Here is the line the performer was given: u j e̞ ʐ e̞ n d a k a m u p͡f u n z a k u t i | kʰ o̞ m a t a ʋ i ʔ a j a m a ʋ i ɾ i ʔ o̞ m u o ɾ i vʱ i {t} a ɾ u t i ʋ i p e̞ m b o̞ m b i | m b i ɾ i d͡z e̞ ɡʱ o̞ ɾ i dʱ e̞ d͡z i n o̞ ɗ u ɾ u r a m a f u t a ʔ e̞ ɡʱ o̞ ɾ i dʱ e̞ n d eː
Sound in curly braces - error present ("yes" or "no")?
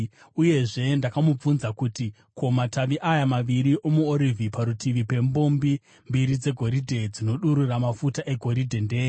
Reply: yes